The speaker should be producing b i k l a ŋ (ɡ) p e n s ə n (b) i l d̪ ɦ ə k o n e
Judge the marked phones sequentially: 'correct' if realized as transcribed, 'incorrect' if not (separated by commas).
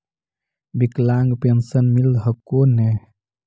correct, incorrect